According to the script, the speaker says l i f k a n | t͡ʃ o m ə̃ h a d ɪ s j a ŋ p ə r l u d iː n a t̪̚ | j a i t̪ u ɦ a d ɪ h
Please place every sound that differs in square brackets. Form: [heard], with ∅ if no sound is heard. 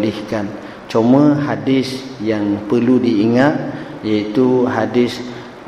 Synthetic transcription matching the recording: l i [h] k a n | t͡ʃ o m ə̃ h a d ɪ s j a ŋ p ə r l u d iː [ŋ] a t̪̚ | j a i t̪ u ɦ a d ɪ [s]